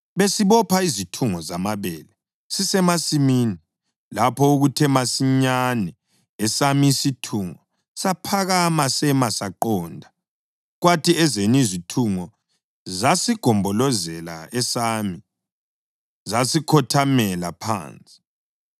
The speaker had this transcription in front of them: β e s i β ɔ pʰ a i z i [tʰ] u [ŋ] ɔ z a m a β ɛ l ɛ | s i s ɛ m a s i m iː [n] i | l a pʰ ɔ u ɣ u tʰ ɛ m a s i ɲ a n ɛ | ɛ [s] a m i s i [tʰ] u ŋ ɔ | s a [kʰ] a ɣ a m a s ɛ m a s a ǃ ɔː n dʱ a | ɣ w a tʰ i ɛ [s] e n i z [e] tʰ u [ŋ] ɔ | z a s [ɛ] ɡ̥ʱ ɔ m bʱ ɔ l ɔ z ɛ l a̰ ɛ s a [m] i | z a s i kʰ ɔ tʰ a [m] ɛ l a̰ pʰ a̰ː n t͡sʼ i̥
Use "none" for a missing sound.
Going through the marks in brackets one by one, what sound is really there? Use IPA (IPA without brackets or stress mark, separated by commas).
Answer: tʰ, ŋ, n, s, tʰ, pʰ, z, i, ŋ, i, m, m